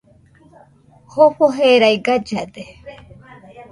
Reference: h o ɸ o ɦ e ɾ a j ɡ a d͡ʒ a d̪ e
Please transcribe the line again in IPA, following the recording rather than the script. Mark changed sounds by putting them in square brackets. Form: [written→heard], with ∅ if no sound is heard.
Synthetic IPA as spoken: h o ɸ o ɦ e ɾ a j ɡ a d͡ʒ a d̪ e